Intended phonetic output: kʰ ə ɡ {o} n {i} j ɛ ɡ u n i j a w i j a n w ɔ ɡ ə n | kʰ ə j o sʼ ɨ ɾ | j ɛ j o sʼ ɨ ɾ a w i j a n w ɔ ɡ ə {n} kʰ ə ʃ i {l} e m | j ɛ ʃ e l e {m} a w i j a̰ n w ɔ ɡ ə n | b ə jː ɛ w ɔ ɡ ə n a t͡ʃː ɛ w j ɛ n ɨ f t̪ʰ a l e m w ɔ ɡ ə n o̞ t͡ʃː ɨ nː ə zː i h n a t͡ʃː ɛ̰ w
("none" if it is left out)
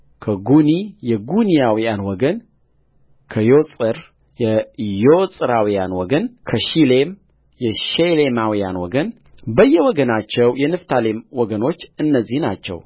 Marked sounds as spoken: u, i, n, l, m

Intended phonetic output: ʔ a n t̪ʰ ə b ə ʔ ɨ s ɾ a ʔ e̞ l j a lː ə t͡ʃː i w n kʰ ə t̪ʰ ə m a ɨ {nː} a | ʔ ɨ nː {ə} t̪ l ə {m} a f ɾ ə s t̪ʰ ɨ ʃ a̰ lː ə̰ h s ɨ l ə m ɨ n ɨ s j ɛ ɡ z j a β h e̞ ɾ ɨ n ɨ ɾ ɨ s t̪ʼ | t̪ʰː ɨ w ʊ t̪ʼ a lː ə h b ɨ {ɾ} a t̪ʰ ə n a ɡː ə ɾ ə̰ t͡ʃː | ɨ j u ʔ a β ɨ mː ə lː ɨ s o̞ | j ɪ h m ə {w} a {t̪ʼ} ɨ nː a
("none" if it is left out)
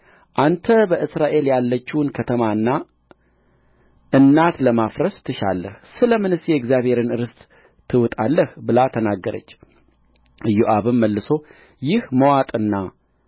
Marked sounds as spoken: nː, a, m, l, w, t̪ʼ

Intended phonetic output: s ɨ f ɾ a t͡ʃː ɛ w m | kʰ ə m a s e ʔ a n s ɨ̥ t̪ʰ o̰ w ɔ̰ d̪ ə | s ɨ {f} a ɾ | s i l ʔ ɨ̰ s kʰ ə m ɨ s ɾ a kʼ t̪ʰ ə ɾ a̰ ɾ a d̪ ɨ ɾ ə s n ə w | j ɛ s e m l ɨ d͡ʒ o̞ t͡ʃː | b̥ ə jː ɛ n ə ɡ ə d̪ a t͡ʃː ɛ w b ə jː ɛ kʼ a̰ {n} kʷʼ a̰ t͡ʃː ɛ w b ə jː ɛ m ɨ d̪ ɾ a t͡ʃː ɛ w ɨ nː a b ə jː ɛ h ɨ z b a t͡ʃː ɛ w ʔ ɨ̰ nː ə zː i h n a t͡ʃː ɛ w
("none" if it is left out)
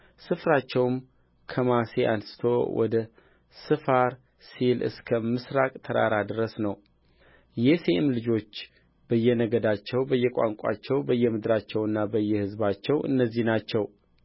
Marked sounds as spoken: f, ŋ

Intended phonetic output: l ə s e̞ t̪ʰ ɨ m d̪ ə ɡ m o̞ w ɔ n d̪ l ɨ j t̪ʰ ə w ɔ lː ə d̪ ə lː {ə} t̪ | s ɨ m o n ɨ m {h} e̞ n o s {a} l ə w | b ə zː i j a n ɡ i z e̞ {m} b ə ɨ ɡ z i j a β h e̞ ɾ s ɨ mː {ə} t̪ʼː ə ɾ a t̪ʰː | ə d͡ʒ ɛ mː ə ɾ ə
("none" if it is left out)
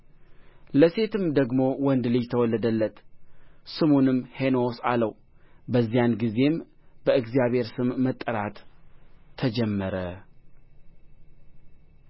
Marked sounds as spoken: ə, h, a, m, ə

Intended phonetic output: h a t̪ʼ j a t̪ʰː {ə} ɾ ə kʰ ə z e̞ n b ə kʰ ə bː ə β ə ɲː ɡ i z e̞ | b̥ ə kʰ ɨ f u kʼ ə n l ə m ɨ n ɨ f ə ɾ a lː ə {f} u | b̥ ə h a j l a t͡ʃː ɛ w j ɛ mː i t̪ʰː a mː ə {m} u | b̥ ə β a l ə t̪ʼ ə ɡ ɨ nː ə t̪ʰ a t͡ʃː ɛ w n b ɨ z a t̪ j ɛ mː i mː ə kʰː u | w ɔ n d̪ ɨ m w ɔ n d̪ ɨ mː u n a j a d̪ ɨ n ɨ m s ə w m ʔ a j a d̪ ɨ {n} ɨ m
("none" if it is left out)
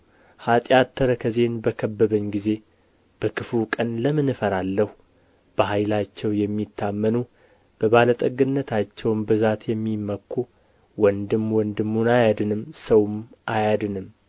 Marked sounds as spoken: ə, h, n, n

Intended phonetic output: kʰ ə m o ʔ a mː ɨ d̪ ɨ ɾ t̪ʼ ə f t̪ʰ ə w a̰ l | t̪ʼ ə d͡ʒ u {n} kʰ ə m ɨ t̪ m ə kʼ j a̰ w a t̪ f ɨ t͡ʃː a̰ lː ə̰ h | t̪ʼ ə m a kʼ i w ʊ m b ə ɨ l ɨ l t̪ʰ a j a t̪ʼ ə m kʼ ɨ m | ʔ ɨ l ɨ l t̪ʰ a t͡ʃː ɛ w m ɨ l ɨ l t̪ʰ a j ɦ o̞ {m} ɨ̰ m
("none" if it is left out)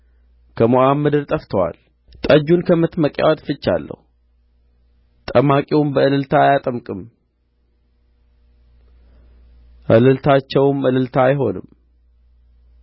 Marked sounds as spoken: n, n

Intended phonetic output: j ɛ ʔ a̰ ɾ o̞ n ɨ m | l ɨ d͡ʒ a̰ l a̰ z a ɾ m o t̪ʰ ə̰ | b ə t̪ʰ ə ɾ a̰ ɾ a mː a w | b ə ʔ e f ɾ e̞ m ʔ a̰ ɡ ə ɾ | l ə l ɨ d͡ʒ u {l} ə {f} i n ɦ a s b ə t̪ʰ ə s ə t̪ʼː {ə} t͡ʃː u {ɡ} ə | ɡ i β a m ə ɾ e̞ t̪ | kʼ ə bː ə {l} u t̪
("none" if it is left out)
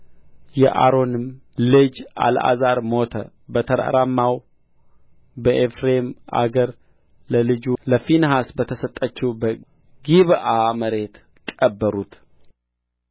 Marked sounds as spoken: l, f, ə, b, ɾ

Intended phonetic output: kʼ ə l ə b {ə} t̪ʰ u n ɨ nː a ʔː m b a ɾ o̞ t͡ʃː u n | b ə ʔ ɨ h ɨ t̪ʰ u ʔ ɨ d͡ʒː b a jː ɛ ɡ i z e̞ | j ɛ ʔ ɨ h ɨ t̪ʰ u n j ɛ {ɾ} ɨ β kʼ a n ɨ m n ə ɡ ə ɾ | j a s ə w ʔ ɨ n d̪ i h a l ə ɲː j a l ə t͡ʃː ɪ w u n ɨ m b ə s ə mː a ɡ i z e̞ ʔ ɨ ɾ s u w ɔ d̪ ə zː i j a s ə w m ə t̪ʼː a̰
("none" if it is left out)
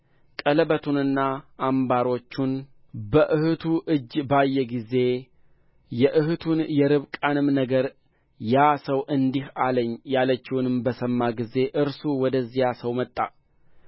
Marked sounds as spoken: ə, ɾ

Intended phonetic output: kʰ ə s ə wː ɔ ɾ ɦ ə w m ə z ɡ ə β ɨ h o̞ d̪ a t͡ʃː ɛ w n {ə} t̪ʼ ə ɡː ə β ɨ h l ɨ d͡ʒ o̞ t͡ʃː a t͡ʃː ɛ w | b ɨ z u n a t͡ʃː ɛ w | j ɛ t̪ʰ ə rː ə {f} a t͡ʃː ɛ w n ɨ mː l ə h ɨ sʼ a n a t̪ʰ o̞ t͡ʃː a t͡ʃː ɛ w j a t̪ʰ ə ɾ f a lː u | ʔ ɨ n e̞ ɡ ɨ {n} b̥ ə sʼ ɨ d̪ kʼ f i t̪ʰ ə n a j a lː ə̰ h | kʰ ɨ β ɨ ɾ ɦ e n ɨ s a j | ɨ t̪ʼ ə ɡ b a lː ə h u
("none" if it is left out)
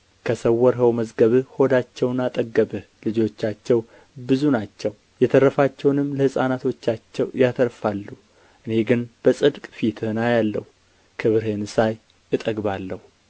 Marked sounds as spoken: a, f, n

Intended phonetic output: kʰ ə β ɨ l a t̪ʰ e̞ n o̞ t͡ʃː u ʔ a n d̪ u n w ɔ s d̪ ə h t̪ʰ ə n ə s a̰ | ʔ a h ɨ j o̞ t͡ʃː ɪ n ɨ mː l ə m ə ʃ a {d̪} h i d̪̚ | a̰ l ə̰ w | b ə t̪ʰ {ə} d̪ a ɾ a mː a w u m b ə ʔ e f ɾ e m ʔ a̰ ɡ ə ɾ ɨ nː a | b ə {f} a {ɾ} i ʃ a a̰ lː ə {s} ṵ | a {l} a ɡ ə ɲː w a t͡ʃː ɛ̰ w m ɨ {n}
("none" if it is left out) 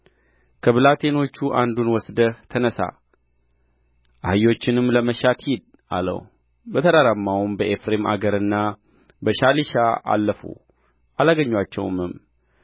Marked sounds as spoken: t̪, ə, ʃ, l, f, l, m

